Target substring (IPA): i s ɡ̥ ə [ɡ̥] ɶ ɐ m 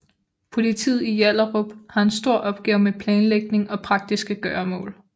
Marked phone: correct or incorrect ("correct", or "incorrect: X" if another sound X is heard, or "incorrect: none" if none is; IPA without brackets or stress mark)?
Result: correct